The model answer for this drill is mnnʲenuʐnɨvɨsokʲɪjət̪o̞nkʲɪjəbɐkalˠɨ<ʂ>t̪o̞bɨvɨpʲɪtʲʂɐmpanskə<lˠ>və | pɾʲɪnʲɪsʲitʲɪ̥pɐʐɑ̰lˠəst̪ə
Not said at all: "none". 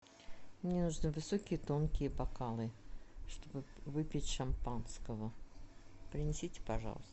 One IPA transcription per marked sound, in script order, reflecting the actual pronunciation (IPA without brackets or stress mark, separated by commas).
ʂ, none